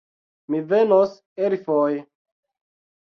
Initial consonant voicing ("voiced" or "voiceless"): voiced